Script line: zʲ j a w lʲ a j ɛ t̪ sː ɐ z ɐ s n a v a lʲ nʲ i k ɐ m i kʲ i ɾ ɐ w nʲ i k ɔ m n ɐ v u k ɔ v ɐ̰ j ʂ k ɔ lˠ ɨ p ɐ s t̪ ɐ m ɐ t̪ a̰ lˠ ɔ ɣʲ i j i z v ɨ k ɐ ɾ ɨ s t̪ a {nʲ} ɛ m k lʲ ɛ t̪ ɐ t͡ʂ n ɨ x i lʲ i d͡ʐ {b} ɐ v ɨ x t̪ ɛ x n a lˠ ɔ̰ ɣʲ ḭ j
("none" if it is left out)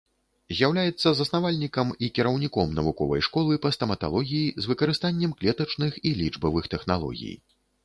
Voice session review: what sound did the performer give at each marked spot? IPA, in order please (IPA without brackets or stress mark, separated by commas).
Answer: nʲː, b